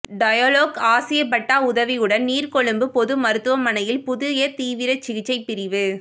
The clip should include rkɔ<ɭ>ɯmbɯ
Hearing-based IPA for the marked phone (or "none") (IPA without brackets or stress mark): ɭ